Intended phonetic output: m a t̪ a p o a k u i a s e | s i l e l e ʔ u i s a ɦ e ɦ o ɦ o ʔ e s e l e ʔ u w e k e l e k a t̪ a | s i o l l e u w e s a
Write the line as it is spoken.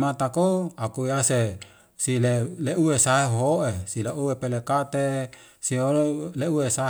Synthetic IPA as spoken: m a t̪ a k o a k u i a s e | s i l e l e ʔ u e s a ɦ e ɦ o ɦ o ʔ e s i l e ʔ u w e p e l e k a t̪ e | s i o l l e u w e s a